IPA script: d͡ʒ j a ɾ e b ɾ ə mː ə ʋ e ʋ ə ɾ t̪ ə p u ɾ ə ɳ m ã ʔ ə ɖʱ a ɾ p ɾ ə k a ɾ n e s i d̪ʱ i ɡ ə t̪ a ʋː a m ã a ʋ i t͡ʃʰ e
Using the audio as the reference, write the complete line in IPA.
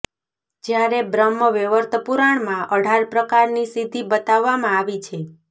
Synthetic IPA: d͡ʒ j a ɾ e b ɾ ə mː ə ʋ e ʋ ə ɾ t̪ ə p u ɾ a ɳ m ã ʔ ə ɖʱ a ɾ p ɾ ə k a ɾ n i s i d̪ʱ i b ə t̪ a ʋː a m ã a ʋ i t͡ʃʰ e